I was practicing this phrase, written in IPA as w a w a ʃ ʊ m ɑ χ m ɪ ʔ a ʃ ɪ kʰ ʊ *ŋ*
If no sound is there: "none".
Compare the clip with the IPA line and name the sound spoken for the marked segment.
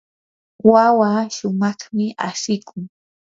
ŋ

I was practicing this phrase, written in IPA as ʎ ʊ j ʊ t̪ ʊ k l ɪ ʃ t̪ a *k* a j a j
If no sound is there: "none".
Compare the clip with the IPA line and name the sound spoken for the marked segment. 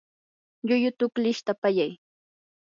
p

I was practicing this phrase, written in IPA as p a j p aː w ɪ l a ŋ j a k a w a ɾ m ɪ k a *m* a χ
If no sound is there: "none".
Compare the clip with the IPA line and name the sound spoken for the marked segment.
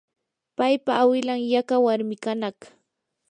n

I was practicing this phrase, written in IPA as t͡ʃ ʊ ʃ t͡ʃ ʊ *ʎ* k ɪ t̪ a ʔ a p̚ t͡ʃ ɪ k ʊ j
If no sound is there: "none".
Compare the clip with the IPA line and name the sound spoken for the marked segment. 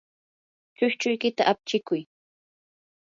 j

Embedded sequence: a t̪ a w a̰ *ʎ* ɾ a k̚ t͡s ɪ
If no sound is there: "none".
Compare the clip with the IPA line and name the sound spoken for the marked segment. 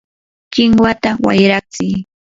j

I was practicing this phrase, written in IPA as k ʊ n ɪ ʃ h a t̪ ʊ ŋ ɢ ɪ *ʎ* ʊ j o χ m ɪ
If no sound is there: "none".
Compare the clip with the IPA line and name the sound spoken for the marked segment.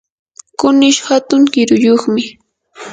ɾ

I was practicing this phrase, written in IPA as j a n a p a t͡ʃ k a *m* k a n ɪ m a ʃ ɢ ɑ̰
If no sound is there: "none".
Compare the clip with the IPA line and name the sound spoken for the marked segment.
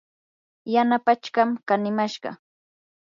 m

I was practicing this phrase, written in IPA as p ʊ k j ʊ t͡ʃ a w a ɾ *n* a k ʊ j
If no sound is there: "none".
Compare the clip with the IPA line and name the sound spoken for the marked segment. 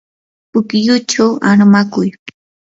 m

